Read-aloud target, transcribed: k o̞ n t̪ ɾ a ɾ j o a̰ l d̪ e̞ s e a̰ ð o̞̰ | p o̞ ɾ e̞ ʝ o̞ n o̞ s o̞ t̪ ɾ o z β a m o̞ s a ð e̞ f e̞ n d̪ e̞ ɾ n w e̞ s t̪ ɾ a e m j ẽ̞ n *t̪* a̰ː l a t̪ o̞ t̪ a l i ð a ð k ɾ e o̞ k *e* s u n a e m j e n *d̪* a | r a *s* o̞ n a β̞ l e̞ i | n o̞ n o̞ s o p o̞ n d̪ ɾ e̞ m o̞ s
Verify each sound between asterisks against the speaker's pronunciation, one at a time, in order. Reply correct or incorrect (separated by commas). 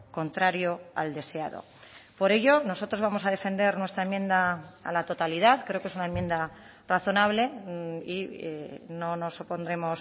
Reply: incorrect, correct, correct, incorrect